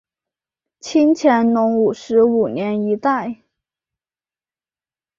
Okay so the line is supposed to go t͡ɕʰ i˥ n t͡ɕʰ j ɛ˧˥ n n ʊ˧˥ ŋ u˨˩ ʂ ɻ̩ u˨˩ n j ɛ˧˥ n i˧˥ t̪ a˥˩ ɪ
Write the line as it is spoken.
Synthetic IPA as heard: t͡ɕʰ i˥ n t͡ɕʰ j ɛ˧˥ n n ʊ˧˥ ŋ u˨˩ ʂ ɻ̩ u˨˩ n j ɛ˧˥ n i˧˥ t̪ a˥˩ ɪ